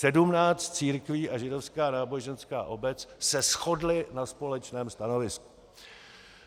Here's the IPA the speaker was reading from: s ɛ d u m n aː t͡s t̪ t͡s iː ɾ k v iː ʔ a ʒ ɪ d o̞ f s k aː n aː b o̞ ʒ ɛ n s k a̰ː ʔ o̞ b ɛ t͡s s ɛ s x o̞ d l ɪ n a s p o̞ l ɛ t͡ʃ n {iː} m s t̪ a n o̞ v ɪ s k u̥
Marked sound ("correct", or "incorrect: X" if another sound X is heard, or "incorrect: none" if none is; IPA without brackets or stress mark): incorrect: ɛː